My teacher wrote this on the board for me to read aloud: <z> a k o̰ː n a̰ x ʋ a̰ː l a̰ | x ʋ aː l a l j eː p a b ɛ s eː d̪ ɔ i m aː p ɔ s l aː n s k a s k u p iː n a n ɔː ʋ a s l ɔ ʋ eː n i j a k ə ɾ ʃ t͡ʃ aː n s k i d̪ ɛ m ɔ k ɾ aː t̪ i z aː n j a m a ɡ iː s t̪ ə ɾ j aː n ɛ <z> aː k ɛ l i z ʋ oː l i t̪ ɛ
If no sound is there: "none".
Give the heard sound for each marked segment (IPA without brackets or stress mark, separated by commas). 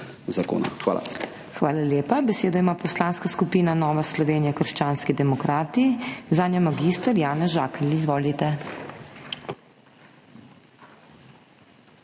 z, ʒ